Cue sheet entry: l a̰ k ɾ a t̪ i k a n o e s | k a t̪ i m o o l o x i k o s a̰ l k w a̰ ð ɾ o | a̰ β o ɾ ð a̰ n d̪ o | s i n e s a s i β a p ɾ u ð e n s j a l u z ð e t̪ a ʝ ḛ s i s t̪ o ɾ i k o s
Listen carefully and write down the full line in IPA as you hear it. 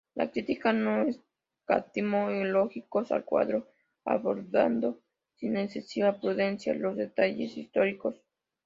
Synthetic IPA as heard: l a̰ k ɾ i t̪ i k a n o e s | k a t̪ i m o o l o x i k o s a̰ l k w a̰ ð ɾ o | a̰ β o ɾ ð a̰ n d̪ o | s i n e s e s i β a p ɾ u ð e n s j a l o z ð e t̪ a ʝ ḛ s i s t̪ o ɾ i k o s